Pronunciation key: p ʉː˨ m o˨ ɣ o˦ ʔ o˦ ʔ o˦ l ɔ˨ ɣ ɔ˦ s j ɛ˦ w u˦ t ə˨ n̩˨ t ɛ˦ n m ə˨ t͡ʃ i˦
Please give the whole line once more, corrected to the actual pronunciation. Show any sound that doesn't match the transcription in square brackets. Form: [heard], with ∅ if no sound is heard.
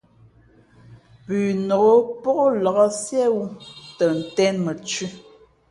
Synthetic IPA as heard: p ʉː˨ [n] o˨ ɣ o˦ [p] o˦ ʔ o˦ l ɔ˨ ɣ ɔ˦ s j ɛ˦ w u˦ t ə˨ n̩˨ t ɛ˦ n m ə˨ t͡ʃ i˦